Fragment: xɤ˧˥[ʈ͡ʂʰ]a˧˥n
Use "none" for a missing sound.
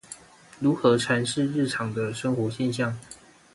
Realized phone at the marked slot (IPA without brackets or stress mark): ʈ͡ʂʰ